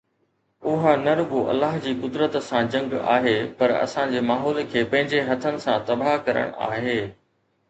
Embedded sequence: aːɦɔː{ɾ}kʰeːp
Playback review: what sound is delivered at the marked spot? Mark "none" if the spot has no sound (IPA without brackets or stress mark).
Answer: l